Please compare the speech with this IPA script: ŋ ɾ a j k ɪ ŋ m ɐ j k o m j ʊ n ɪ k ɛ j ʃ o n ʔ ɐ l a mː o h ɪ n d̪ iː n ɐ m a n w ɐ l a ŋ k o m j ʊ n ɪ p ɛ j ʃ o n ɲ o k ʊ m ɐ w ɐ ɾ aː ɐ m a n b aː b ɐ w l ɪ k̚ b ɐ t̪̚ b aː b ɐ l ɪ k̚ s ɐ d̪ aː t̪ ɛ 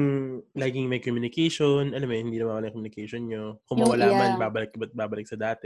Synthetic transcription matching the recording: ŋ l a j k ɪ ŋ m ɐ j k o m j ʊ n ɪ k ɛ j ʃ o n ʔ ɐ l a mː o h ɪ n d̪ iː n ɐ m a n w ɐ l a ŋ k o m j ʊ n ɪ k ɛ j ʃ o n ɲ o k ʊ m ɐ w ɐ l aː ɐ m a n b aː b ɐ l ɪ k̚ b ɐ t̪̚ b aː b ɐ l ɪ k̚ s ɐ d̪ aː t̪ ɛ